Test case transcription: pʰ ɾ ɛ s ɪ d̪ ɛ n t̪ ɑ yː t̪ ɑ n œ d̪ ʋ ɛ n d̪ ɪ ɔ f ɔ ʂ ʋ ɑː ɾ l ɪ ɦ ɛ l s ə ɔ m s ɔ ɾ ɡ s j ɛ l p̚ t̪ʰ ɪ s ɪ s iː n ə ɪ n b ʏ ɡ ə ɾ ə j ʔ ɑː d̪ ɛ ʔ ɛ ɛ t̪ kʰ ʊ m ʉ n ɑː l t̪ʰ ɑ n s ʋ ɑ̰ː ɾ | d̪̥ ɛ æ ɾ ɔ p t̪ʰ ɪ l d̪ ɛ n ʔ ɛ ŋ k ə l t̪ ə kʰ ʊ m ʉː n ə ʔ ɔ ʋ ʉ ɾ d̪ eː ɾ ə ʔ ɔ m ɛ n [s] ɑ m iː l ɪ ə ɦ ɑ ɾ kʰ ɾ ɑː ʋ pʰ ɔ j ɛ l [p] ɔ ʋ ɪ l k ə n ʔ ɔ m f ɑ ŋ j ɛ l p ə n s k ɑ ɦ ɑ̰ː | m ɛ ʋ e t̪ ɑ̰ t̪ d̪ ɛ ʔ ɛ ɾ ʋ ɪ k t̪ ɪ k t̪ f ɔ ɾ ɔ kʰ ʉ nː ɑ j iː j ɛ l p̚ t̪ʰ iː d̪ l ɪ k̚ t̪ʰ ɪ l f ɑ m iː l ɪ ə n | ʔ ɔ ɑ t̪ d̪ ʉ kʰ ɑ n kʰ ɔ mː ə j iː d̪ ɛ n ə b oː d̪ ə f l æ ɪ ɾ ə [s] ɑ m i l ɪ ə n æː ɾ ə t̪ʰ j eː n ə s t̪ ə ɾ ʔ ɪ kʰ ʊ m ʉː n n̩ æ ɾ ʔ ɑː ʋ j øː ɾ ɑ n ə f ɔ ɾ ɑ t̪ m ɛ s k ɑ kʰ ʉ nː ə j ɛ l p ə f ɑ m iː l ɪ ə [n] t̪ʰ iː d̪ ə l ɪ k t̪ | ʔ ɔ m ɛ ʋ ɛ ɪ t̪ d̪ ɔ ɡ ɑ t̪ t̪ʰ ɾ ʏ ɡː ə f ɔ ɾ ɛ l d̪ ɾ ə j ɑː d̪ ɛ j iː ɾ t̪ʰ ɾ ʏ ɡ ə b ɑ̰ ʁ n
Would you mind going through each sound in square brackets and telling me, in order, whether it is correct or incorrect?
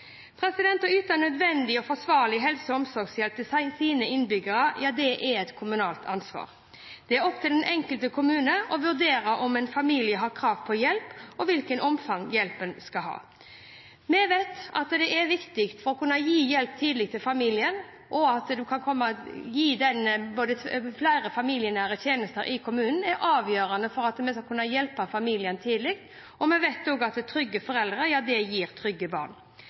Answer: incorrect: f, correct, incorrect: f, correct

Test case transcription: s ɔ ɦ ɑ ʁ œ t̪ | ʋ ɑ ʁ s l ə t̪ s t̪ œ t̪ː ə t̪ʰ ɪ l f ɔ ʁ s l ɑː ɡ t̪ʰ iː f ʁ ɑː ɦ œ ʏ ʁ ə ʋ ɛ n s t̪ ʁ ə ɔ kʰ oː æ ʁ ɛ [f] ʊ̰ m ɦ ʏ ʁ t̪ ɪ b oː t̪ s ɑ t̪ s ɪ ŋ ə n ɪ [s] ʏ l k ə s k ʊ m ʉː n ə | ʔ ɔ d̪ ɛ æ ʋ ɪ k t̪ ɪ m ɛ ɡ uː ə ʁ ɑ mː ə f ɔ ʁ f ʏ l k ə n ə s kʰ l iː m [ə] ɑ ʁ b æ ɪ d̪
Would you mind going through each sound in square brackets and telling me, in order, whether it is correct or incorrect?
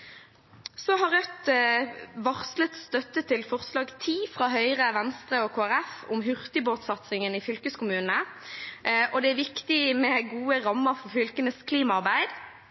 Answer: correct, incorrect: f, incorrect: ɑ

